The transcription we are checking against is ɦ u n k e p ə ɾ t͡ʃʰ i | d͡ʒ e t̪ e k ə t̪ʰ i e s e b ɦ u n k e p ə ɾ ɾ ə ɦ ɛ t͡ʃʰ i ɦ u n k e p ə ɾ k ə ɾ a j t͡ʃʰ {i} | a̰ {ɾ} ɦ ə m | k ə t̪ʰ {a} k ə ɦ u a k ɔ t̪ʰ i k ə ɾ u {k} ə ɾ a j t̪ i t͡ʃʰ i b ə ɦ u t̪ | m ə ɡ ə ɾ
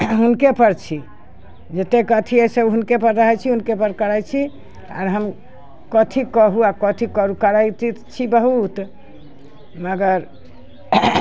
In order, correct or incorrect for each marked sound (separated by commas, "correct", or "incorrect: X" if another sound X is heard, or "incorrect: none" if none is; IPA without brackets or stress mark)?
correct, correct, incorrect: i, correct